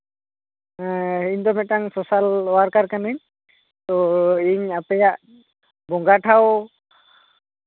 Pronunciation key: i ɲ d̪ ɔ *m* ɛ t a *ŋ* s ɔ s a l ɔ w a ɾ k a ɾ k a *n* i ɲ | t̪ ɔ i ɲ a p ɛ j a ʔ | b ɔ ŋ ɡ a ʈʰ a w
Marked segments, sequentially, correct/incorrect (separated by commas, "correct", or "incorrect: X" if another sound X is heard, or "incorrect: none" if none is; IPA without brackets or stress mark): correct, correct, correct